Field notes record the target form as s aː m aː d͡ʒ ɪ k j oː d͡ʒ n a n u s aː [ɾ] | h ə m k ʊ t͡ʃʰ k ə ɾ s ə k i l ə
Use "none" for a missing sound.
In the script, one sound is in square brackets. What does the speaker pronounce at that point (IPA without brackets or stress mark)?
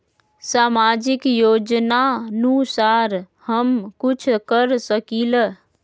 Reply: ɾ